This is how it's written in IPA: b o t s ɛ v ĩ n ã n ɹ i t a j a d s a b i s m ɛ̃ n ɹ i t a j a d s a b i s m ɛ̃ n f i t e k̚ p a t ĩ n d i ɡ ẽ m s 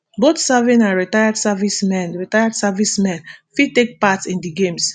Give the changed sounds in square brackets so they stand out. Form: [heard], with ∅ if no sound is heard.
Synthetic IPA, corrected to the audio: b o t s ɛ v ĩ n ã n ɹ i t a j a d s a [v] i s m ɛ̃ n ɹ i t a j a d s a [v] i s m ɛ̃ n f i t e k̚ p a t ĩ n d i ɡ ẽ m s